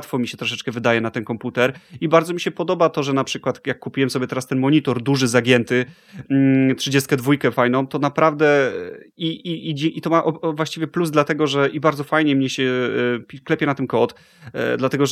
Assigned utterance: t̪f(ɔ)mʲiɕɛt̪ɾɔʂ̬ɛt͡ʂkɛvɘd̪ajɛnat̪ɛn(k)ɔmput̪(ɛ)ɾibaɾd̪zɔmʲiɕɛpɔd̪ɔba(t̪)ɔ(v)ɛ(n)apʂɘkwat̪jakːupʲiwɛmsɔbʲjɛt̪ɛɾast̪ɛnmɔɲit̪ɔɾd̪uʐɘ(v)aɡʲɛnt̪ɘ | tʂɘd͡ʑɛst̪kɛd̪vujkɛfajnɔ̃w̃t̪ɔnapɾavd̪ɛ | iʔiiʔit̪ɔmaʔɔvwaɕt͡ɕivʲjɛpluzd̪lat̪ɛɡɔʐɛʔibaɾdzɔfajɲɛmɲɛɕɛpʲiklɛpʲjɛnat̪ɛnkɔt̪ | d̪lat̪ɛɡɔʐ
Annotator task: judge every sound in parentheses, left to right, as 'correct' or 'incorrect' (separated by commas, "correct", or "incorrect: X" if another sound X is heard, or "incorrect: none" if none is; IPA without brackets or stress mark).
correct, correct, correct, correct, incorrect: ʐ, correct, incorrect: z